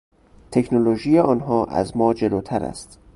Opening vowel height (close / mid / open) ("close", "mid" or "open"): mid